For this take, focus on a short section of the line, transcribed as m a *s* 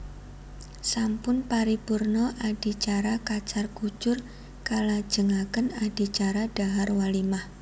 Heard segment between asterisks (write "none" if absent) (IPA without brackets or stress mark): h